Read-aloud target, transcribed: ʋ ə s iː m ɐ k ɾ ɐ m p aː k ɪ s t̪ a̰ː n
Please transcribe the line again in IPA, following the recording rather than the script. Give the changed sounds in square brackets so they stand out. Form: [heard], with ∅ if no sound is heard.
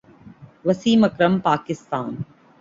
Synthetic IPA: ʋ [ɐ] s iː m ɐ k ɾ ɐ m p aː k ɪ s t̪ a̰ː n